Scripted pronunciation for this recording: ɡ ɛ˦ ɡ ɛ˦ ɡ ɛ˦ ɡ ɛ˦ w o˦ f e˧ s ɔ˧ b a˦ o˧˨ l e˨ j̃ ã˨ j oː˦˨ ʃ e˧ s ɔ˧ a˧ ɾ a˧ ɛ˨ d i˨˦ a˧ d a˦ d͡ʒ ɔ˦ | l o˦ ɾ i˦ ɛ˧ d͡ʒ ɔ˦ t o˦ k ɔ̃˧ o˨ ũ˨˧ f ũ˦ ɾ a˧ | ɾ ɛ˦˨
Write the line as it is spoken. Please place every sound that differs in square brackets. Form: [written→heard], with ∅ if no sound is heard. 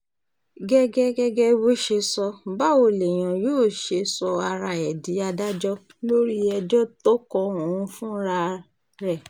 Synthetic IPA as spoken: ɡ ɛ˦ ɡ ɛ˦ ɡ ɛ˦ ɡ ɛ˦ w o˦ [f→ʃ] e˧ s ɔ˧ b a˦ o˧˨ l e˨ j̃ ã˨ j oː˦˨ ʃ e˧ s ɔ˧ a˧ ɾ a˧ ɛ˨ d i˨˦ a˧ d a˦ d͡ʒ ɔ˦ | l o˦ ɾ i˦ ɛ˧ d͡ʒ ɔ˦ t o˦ k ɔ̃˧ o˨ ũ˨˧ f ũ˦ ɾ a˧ | ɾ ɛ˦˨

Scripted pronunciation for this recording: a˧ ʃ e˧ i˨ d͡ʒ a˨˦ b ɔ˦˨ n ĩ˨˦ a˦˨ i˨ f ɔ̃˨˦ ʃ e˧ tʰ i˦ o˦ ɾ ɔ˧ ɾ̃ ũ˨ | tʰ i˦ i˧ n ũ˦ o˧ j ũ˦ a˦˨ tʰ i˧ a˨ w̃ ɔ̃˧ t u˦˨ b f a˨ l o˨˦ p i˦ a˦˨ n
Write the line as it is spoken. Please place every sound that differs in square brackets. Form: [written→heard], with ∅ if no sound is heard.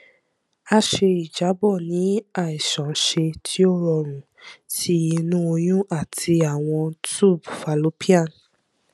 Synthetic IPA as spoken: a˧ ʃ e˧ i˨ d͡ʒ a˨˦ b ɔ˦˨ n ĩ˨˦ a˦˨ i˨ [f→ʃ] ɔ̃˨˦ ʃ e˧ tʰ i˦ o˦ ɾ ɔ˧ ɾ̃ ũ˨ | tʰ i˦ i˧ n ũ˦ o˧ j ũ˦ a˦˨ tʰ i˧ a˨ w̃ ɔ̃˧ t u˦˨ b f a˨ l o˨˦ p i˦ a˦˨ n

